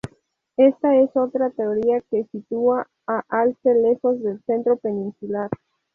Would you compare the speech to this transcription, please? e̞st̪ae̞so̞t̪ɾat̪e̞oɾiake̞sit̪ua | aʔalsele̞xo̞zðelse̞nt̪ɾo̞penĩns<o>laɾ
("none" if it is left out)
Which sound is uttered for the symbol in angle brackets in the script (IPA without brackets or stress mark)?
u